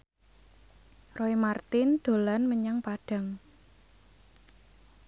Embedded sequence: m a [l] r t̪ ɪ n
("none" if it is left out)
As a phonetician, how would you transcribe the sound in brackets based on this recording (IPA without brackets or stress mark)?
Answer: none